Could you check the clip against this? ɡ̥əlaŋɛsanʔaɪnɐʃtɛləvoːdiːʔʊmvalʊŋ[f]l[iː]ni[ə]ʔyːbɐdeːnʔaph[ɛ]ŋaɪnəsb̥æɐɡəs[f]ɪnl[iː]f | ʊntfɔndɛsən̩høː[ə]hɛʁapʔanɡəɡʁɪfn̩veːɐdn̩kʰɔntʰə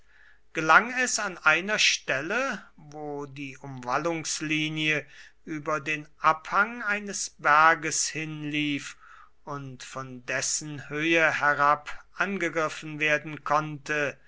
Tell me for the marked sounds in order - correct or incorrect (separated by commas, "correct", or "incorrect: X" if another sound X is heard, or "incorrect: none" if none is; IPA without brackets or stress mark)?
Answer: incorrect: s, correct, correct, incorrect: a, incorrect: h, correct, correct